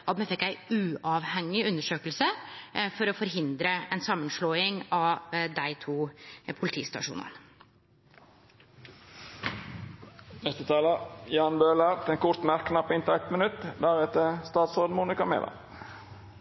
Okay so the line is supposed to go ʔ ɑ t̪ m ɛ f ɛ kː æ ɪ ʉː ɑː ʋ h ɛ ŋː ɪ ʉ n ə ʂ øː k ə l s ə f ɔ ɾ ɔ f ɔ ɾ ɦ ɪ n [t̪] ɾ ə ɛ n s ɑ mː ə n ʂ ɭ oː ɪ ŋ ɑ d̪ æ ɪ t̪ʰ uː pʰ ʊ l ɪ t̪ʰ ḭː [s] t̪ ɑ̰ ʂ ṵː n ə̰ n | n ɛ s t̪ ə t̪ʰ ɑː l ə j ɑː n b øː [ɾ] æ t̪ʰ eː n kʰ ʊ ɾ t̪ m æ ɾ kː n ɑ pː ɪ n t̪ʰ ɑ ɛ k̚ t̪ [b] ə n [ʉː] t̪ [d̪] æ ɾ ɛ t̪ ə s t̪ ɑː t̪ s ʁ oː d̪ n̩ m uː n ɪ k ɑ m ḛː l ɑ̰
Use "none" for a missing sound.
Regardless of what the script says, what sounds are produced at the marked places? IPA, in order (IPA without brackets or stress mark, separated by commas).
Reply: d̪, s, l, m, ʉ, d̪